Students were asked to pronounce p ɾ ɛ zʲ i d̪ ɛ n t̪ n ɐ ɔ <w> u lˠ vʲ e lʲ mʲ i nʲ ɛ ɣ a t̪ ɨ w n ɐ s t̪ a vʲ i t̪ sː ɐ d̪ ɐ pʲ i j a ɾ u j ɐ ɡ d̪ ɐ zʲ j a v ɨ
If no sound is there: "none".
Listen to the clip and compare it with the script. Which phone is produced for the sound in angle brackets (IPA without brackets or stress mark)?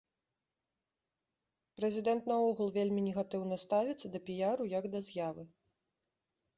ɣ